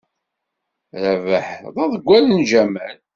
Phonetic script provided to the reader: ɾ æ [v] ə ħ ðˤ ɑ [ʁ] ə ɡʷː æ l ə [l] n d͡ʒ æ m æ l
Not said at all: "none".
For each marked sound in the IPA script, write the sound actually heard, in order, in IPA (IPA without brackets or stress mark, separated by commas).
v, ð, none